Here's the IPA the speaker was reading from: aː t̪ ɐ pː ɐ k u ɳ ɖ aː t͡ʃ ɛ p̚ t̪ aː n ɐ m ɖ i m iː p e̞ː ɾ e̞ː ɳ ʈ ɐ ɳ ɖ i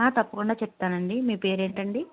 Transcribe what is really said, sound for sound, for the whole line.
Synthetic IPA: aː t̪ ɐ pː ɐ k u ɳ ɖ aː t͡ʃ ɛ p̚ t̪ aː n ɐ ɳ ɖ i m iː p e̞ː ɾ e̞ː ɳ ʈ ɐ ɳ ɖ i